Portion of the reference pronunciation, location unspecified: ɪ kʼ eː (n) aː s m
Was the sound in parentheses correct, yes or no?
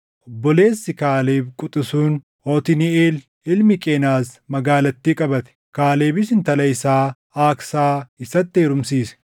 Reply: yes